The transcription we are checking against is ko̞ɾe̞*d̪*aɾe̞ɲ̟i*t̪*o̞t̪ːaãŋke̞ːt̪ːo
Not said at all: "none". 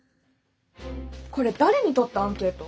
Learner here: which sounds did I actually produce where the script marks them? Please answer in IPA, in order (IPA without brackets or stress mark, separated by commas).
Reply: d̪, t̪